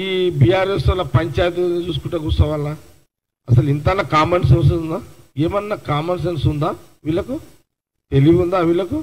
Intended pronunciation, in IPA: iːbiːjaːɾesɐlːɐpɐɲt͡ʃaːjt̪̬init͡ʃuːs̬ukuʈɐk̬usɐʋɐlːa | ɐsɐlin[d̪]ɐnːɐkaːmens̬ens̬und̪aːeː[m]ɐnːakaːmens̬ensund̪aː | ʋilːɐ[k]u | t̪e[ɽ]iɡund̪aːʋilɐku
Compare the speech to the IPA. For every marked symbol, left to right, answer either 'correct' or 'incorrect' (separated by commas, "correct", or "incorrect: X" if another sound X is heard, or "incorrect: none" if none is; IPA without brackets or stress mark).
incorrect: t̪, correct, correct, incorrect: l